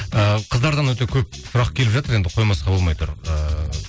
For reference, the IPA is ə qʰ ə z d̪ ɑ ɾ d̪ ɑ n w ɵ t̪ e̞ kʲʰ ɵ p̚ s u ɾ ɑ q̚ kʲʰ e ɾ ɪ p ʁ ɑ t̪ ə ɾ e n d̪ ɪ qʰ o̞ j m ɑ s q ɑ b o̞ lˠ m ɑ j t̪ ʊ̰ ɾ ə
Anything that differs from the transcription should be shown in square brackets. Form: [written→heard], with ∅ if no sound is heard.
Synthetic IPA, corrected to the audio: ə qʰ ə z d̪ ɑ ɾ d̪ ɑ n w ɵ t̪ e̞ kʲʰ ɵ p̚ s [u→ʊ] ɾ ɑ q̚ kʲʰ e [ɾ→l] ɪ p [ʁ→ʒ] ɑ t̪ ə ɾ e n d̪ ɪ qʰ o̞ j m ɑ s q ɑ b o̞ lˠ m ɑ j t̪ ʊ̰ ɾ ə